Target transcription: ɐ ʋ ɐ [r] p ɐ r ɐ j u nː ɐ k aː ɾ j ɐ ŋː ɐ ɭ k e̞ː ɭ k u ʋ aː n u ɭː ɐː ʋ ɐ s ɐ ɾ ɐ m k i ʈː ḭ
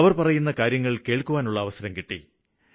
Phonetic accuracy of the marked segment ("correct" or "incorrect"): correct